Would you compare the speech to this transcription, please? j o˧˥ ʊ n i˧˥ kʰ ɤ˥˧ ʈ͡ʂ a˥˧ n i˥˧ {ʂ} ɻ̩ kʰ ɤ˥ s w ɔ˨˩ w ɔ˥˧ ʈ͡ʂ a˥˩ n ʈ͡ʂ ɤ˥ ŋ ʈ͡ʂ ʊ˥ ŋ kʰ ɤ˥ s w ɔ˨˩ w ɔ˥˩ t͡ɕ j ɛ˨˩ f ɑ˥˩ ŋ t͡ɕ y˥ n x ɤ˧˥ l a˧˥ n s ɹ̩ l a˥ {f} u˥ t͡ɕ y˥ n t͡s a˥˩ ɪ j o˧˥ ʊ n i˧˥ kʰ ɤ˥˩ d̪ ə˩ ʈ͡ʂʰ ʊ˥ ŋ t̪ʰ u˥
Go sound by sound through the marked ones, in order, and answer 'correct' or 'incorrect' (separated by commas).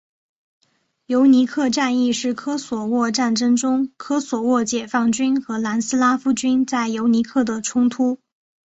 correct, correct